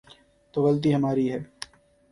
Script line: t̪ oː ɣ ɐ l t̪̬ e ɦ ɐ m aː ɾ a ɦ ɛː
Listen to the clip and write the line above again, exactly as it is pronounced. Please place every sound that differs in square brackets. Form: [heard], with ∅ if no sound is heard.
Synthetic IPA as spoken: t̪ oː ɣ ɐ l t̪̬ [i] ɦ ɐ m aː ɾ [i] ɦ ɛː